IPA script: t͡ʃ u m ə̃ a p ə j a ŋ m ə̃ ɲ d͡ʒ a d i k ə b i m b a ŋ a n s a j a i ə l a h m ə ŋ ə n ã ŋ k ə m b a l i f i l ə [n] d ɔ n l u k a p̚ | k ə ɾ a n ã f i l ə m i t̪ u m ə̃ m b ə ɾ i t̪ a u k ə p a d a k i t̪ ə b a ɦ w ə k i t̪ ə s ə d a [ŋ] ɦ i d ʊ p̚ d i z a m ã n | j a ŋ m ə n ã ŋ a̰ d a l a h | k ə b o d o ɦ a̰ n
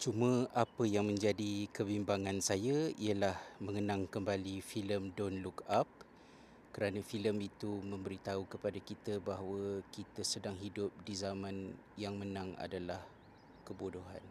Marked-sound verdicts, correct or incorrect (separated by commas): incorrect, correct